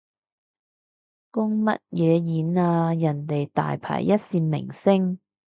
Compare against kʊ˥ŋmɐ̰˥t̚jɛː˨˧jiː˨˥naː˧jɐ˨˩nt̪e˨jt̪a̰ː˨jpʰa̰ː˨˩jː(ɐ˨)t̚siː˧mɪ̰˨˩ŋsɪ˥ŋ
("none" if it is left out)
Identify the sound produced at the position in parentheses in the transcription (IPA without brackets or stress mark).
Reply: ɐ˥